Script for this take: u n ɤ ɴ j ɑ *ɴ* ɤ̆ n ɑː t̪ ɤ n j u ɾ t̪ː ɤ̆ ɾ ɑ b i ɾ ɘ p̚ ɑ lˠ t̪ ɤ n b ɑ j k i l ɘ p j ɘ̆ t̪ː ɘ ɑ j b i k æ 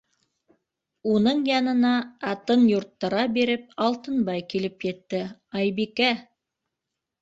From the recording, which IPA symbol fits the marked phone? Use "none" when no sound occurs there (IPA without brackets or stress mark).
n